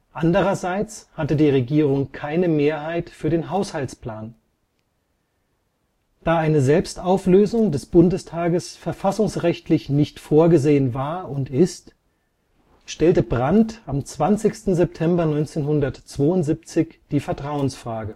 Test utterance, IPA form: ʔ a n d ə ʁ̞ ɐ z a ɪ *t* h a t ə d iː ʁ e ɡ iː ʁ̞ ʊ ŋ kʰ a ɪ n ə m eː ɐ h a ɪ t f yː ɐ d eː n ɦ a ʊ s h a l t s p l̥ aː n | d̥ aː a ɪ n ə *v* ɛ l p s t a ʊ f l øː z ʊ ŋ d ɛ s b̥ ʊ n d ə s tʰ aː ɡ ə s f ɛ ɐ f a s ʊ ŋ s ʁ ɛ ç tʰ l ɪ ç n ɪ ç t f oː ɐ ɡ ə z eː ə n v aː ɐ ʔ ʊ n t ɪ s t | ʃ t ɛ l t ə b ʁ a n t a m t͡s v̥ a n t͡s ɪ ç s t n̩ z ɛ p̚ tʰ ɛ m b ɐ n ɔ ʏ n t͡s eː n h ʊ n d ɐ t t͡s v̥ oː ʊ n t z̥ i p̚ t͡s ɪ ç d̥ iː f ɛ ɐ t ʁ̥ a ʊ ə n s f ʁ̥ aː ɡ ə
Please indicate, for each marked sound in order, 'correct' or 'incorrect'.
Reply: incorrect: t͡s, incorrect: z

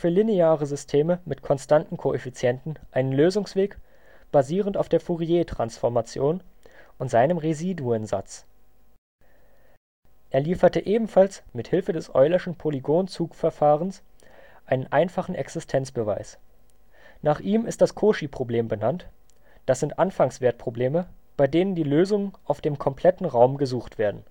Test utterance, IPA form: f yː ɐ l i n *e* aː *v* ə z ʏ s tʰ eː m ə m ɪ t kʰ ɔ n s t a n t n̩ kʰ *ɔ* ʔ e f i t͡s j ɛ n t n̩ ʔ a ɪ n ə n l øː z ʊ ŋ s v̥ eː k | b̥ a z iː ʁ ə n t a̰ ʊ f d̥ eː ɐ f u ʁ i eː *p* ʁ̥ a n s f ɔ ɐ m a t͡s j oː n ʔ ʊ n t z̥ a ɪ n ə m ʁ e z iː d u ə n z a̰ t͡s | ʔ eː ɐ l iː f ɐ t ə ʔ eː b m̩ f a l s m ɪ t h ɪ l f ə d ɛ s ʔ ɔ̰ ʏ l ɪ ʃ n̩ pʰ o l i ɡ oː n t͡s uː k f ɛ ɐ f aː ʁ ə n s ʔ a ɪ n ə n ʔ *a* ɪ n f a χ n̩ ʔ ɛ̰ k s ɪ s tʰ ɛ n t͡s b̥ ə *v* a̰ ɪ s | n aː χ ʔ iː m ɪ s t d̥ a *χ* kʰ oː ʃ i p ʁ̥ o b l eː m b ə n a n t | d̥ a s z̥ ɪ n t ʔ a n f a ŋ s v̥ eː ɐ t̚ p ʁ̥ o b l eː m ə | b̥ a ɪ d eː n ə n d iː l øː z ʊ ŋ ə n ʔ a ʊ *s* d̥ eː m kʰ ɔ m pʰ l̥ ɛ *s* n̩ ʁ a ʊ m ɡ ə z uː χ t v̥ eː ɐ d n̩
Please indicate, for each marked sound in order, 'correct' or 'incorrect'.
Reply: correct, incorrect: ʁ, incorrect: o, incorrect: t, correct, correct, incorrect: s, incorrect: f, incorrect: t

